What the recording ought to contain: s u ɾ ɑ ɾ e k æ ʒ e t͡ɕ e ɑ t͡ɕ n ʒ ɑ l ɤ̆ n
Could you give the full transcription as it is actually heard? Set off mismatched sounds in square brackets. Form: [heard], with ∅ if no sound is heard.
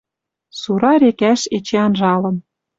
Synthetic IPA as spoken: s u ɾ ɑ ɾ e k æ [ʃ] e t͡ɕ e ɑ [∅] n ʒ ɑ l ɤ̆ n